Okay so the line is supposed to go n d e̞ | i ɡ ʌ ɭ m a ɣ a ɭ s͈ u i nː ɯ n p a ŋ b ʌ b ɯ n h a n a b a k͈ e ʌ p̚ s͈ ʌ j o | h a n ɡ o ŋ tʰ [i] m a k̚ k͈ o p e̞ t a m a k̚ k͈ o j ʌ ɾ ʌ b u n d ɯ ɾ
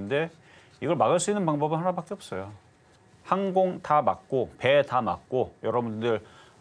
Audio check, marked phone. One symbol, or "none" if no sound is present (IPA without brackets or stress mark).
a